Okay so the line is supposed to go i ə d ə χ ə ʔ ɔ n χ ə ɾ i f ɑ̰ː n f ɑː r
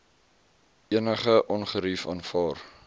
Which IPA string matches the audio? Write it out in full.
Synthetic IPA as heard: i ə n ə χ ə ʔ ɔ n χ ə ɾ i f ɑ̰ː n f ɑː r